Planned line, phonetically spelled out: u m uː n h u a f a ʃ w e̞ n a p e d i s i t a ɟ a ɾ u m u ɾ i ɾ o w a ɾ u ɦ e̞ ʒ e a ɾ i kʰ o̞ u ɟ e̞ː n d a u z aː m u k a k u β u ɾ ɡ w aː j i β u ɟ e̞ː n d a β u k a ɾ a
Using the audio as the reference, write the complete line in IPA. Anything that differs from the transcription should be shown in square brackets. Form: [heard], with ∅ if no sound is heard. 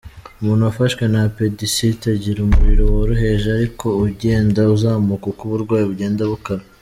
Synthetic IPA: u m uː n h u a f a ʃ w e̞ n a p e d i s i t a ɟ [i] ɾ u m u ɾ i ɾ o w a ɾ u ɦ e̞ ʒ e a ɾ i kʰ o̞ u ɟ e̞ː n d a u z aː m u k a k u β u ɾ ɡ w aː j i β u ɟ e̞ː n d a β u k a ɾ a